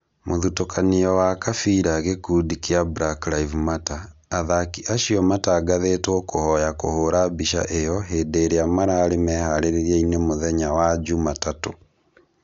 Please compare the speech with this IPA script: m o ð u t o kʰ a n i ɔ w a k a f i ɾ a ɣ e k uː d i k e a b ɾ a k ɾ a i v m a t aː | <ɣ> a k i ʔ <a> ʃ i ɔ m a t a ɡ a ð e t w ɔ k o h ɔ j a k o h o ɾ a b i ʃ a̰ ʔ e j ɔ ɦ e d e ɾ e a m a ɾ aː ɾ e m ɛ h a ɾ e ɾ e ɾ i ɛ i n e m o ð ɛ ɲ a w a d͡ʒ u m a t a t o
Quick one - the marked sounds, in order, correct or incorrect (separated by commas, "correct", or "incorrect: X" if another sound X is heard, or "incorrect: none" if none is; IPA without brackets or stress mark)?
incorrect: ð, correct